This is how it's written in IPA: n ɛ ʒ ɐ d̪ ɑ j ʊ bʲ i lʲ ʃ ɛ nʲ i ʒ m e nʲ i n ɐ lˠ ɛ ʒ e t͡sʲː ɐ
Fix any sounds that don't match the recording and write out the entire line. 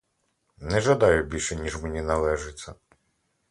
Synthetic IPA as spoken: n ɛ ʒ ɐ d̪ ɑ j ʊ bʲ i lʲ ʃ ɛ nʲ i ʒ m e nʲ i n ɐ lˠ ɛ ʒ e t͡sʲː ɐ